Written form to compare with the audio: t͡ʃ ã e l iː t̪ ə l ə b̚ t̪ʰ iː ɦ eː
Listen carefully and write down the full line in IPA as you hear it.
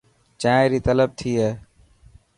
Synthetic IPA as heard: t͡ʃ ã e ɾ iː t̪ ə l ə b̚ t̪ʰ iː ɦ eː